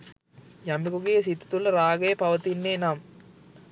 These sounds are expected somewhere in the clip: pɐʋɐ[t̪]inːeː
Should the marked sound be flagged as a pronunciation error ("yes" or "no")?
no